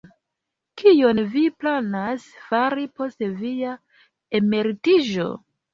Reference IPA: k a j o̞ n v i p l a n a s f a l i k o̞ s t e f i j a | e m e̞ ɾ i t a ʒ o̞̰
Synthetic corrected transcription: k i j o̞ n v i p l a n a s f a ɾ i p o̞ s t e v i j a | e m e̞ ɾ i t i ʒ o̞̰